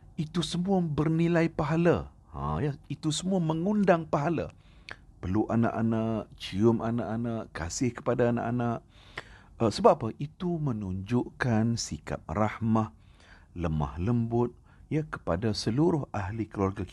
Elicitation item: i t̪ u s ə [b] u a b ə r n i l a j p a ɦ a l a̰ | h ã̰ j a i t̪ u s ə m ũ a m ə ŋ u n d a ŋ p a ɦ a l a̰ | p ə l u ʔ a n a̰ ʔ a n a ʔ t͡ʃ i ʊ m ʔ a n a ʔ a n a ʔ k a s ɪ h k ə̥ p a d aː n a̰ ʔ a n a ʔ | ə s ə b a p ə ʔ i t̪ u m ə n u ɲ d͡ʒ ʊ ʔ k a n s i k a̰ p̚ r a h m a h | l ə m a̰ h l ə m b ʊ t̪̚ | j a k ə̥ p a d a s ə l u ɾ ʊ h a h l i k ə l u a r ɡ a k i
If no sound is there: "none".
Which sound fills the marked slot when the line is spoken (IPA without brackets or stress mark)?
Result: m